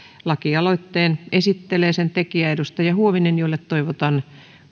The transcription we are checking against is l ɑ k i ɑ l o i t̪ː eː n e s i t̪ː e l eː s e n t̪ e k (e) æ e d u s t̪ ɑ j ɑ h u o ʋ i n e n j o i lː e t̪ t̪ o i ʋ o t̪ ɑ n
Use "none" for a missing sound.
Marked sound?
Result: i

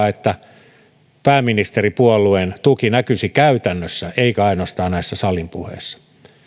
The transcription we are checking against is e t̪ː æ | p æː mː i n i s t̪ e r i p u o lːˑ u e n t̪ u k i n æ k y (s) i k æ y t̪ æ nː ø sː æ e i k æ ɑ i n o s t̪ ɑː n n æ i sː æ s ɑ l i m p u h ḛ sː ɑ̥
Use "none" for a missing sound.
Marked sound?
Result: s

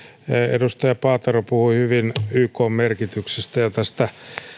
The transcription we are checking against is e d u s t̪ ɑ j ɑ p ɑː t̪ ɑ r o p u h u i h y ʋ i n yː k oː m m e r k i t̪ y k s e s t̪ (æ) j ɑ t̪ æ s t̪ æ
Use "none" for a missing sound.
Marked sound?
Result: æ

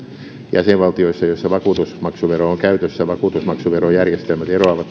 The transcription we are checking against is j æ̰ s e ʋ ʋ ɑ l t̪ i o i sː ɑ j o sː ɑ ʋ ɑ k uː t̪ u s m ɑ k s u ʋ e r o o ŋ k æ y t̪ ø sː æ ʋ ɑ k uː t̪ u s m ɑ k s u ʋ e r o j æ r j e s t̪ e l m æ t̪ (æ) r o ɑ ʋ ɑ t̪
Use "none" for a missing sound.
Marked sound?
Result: e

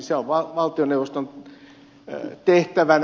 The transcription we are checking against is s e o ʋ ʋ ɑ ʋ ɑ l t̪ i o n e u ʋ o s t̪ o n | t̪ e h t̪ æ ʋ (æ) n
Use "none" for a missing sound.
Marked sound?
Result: æ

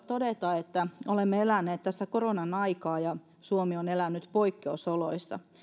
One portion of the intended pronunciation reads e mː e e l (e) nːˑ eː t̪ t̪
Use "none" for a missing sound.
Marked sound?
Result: æ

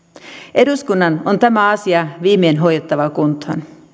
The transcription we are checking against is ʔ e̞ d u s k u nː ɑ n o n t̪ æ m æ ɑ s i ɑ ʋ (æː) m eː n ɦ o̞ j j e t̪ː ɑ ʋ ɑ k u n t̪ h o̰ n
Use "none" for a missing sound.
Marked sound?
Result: iː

